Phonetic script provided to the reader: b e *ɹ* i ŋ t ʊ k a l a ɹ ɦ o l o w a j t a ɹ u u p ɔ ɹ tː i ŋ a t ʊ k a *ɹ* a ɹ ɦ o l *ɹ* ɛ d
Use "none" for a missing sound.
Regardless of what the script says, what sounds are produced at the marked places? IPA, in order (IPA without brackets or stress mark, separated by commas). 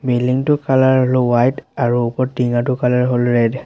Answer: l, l, ɹ